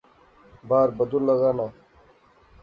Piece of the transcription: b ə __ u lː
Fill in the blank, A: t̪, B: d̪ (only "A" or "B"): B